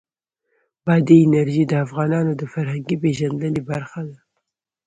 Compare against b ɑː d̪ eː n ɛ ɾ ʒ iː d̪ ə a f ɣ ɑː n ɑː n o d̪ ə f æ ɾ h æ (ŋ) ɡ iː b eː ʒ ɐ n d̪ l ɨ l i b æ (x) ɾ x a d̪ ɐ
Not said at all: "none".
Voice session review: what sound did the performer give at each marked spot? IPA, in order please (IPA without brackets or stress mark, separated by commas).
ŋ, none